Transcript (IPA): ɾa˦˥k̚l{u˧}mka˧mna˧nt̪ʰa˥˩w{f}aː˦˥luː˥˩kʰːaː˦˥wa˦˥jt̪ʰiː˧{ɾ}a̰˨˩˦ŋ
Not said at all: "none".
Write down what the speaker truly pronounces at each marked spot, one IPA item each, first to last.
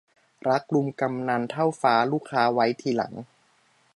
u˧, f, l

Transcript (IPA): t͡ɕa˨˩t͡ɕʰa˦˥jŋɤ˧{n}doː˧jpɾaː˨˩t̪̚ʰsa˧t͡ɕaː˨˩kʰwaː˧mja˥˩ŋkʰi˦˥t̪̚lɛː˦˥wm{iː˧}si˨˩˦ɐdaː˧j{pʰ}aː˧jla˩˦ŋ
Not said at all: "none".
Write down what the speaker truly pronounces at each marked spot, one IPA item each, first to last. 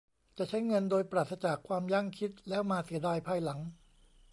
n, aː˧, pʰ

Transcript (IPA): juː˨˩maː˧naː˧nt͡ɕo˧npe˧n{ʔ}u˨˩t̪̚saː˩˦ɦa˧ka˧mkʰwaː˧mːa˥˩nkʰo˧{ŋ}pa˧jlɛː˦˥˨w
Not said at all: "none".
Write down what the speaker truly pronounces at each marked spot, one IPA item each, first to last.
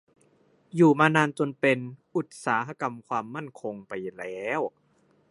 ʔ, ŋ

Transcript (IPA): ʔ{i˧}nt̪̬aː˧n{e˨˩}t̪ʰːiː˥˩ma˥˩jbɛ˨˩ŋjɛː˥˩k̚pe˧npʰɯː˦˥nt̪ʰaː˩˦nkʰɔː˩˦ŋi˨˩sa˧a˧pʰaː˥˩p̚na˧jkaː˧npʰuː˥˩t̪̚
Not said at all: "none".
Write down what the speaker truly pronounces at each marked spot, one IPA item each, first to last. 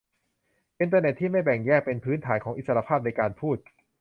i˧, e˨˩

